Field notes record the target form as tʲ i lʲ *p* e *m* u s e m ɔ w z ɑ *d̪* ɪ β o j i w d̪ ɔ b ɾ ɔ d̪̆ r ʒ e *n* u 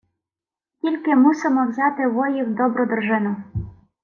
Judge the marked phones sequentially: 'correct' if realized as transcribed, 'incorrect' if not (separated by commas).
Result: incorrect, correct, incorrect, correct